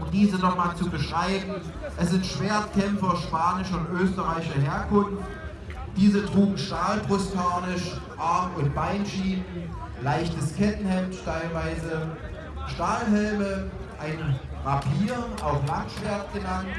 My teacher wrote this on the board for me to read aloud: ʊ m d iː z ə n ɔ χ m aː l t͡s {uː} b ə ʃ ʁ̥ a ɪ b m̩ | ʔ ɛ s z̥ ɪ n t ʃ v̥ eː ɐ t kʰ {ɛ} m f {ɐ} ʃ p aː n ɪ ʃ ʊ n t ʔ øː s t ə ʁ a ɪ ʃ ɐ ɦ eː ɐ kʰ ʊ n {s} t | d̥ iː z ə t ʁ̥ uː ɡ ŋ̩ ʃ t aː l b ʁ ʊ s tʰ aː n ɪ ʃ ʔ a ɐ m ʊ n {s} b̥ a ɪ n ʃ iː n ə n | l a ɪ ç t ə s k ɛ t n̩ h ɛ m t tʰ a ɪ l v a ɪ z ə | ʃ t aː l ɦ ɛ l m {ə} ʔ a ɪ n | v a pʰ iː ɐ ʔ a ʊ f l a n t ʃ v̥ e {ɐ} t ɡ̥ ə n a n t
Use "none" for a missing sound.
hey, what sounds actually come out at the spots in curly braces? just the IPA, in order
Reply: u, ɛ, ɐ, f, t, ə, ɐ

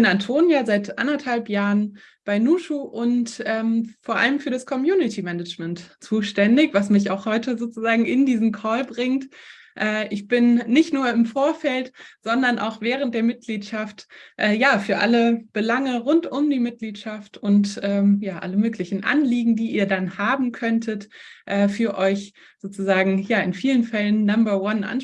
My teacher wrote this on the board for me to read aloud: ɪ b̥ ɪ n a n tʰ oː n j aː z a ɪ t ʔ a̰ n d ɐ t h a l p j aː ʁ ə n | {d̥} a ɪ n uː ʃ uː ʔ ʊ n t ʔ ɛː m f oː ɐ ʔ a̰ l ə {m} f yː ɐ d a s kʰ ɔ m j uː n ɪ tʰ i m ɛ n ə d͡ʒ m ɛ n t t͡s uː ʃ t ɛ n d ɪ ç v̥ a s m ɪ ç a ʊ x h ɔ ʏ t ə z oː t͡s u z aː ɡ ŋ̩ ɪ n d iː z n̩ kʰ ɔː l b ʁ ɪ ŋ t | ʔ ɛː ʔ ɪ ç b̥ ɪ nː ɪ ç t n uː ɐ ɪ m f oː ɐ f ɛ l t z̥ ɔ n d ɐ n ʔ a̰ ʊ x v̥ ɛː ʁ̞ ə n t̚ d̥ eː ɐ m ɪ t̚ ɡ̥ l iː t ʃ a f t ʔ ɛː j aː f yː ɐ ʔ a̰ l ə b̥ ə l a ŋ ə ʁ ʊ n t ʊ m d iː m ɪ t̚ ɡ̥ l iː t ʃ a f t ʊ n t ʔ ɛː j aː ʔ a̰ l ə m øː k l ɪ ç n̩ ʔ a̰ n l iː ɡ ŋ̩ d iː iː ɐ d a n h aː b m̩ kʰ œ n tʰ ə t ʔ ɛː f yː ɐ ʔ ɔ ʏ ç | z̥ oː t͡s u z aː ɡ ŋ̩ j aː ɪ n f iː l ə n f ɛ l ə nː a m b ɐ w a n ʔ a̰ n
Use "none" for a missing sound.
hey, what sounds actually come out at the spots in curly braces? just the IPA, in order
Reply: b̥, m

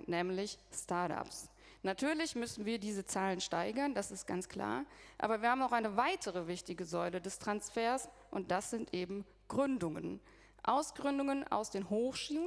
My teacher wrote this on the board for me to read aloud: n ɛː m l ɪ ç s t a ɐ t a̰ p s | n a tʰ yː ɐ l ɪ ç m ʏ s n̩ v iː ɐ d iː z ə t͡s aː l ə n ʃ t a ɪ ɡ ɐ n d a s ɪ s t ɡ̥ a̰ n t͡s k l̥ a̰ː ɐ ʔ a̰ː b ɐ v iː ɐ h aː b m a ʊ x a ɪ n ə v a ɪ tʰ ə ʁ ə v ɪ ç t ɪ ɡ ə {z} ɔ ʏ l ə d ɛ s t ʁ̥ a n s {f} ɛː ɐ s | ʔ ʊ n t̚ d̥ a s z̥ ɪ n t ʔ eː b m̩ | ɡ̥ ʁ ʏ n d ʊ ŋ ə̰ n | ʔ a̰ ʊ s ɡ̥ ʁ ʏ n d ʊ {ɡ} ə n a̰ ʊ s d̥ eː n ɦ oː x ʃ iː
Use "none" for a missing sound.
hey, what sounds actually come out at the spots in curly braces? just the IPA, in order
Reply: z, f, ŋ

